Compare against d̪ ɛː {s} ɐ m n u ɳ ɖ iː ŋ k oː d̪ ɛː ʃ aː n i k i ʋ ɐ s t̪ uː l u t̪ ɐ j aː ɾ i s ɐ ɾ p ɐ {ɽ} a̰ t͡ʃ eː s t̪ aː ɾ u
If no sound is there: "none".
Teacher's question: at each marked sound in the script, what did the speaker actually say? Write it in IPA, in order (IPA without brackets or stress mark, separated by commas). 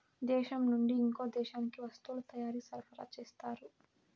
ʃ, ɾ